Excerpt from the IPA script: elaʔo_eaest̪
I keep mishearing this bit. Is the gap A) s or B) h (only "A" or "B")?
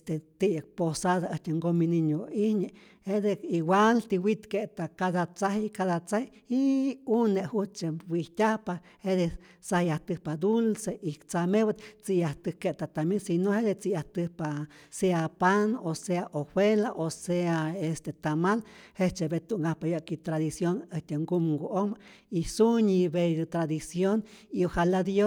A